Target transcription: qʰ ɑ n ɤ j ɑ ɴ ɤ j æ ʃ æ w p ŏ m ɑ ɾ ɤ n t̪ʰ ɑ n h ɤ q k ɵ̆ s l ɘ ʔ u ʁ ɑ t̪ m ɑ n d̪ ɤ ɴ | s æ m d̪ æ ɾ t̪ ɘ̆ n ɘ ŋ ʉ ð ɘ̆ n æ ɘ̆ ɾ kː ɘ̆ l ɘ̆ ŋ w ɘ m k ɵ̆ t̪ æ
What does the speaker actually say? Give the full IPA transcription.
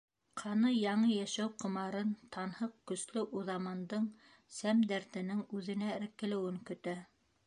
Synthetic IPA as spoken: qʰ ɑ n ɤ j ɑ ɴ ɤ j æ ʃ æ w q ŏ m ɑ ɾ ɤ n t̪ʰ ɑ n h ɤ q k ɵ̆ s l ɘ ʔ u ð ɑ m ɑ n d̪ ɤ ɴ | s æ m d̪ æ ɾ t̪ ɘ̆ n ɘ ŋ ʉ ð ɘ̆ n æ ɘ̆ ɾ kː ɘ̆ l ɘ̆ w ɘ ŋ k ɵ̆ t̪ æ